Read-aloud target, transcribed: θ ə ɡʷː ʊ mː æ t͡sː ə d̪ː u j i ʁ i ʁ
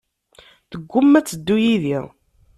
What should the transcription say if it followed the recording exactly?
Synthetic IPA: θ ə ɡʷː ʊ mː æ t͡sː ə d̪ː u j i ð i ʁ